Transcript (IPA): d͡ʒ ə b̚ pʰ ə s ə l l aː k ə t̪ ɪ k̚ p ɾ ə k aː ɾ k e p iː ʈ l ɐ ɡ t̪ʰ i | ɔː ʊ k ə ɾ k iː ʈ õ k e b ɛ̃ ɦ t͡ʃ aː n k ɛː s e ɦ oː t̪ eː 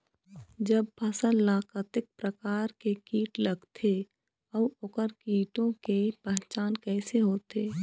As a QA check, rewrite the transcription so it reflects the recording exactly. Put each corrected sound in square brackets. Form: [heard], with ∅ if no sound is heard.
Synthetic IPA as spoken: d͡ʒ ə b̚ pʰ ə s ə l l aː k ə t̪ ɪ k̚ p ɾ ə k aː ɾ k e [k] iː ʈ l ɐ ɡ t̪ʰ [e] | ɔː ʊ k ə ɾ k iː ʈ õ k e [p] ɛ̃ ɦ t͡ʃ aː n k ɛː s e ɦ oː t̪ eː

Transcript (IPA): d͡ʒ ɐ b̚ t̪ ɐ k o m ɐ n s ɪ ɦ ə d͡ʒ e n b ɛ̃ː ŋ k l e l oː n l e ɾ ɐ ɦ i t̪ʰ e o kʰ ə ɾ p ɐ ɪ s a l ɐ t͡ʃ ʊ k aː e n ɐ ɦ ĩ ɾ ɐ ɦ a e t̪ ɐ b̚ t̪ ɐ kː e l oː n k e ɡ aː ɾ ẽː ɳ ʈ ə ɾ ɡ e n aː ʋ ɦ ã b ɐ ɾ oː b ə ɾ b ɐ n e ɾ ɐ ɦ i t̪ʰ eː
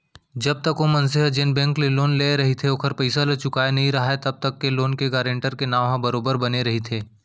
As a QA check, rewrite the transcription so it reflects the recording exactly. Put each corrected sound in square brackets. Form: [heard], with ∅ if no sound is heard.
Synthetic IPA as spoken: d͡ʒ ɐ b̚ t̪ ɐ k o m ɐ n s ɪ ɦ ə d͡ʒ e n b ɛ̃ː ŋ k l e l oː n l e ɾ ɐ ɦ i t̪ʰ e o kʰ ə ɾ p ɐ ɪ s a l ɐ t͡ʃ ʊ k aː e n ɐ ɦ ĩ ɾ ɐ ɦ a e t̪ ɐ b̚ t̪ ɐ kː e l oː n k e ɡ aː ɾ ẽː ɳ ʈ ə ɾ [k] e n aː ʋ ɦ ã b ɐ ɾ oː b ə ɾ b ɐ n e ɾ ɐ ɦ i t̪ʰ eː

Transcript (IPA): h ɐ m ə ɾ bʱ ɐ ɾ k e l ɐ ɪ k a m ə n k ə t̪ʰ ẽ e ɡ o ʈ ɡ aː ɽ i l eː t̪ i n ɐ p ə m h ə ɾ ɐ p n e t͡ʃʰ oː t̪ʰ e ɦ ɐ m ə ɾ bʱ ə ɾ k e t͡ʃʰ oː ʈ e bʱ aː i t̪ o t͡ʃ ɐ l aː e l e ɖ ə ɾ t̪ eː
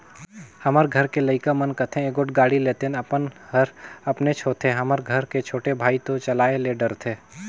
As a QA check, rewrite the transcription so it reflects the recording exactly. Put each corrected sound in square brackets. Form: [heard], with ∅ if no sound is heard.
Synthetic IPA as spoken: h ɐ m ə ɾ [ɡʱ] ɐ ɾ k e l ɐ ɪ k a m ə n k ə t̪ʰ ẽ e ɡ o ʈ ɡ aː ɽ i l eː t̪ [e] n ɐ p ə [n] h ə ɾ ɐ p n e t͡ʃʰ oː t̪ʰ e ɦ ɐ m ə ɾ [ɡʱ] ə ɾ k e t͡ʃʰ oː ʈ e bʱ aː i t̪ o t͡ʃ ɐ l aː e l e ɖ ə ɾ [t̪ʰ] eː

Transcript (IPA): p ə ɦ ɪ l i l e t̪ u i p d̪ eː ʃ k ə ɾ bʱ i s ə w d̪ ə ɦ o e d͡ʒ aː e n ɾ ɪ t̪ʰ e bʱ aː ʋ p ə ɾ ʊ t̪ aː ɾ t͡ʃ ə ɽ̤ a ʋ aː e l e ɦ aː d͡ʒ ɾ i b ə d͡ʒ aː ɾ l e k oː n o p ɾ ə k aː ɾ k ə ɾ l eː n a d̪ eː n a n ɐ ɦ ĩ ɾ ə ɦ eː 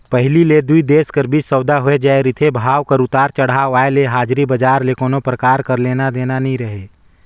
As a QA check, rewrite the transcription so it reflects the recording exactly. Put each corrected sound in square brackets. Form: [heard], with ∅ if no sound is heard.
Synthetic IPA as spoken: p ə ɦ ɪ l i l e [d̪] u i [∅] d̪ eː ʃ k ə ɾ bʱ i s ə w d̪ [a] ɦ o e d͡ʒ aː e [∅] ɾ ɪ t̪ʰ e bʱ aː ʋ [k] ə ɾ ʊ t̪ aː ɾ t͡ʃ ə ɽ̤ a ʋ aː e l e ɦ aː d͡ʒ ɾ i b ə d͡ʒ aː ɾ l e k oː n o p ɾ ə k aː ɾ k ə ɾ l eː n a d̪ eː n a n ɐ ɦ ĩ ɾ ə ɦ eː

